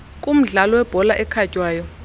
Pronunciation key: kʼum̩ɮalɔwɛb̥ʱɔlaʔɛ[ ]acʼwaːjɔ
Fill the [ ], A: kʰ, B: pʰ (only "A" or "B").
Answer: A